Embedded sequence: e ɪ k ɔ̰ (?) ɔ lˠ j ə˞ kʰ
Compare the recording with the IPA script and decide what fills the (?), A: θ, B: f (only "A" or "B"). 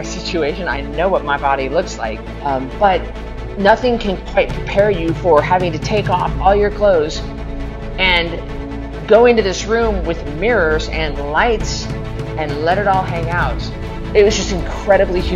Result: B